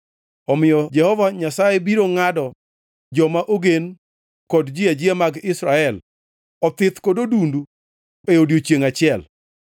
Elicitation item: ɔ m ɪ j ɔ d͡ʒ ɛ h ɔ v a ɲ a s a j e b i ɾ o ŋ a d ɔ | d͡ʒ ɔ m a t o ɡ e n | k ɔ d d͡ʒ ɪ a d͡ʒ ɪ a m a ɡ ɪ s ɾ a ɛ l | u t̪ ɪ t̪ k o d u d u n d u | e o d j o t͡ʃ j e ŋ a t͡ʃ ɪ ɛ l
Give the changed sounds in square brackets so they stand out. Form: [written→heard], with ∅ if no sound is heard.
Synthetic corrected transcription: ɔ m ɪ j ɔ d͡ʒ ɛ h ɔ v a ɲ a s a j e b i ɾ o ŋ a d ɔ | d͡ʒ ɔ m a [t→ʔ] o ɡ e n | k ɔ d d͡ʒ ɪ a d͡ʒ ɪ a m a ɡ ɪ s ɾ a ɛ l | [u→ɔ] t̪ ɪ t̪ k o d [u→o] d u n d u | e o d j o t͡ʃ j e ŋ a t͡ʃ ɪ ɛ l